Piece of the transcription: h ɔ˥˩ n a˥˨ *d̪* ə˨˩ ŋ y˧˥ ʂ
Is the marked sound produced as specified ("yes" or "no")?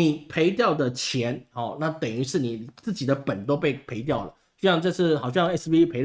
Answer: no